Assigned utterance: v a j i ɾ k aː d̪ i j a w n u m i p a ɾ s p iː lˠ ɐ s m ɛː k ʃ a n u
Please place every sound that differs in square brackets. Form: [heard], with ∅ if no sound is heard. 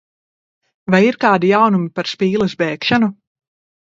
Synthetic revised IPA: v a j i ɾ k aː d̪ i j a w n u m i p a ɾ s p iː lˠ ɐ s [b] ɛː k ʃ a n u